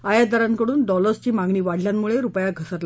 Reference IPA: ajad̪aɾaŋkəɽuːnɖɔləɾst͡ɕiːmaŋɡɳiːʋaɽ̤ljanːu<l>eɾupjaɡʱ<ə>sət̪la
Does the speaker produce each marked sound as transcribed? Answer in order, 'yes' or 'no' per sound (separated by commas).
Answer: no, yes